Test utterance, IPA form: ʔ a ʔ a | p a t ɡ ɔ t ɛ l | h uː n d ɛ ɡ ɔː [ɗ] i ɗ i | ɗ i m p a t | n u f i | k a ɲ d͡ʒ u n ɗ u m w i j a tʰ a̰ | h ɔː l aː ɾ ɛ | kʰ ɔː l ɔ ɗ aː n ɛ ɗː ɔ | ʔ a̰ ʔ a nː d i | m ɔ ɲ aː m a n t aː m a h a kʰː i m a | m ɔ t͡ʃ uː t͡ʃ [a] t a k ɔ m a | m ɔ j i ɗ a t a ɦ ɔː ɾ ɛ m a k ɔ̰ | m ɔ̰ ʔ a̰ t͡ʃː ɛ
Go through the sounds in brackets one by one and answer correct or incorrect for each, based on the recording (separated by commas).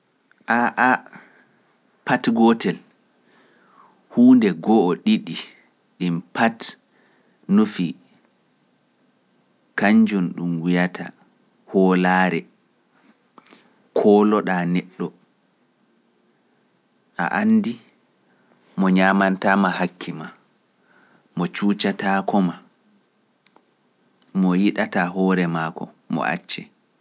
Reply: correct, correct